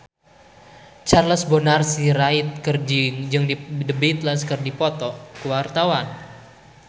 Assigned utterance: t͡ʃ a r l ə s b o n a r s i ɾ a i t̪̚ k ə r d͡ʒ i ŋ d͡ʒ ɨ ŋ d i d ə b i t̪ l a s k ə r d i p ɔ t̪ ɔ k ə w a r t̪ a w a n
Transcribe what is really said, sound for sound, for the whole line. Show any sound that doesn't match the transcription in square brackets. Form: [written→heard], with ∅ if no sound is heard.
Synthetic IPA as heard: t͡ʃ a r l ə s b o n a r s i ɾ a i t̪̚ k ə r d͡ʒ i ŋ d͡ʒ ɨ ŋ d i d ə b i t̪ l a s k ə r d i p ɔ t̪ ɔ k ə w a r t̪ a w a n